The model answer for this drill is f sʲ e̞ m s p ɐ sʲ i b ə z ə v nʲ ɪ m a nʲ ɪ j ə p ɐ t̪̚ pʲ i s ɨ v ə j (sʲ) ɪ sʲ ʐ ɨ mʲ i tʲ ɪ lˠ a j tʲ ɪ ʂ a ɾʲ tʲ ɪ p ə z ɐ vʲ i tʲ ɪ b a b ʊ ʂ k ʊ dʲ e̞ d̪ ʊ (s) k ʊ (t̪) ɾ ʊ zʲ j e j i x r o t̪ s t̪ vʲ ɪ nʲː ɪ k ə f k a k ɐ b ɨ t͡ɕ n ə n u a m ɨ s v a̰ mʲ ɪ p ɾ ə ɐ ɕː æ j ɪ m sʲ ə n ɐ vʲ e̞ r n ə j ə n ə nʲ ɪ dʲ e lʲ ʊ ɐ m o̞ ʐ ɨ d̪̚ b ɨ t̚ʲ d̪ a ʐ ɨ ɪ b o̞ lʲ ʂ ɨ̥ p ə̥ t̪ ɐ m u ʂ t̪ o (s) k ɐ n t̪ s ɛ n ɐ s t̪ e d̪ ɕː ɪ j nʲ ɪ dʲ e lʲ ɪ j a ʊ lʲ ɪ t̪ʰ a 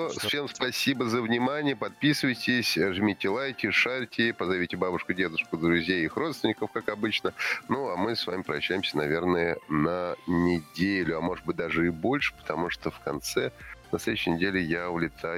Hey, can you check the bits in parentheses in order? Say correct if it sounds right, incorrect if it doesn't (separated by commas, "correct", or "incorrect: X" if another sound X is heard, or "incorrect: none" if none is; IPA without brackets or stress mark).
incorrect: tʲ, incorrect: ʂ, incorrect: d̪, incorrect: f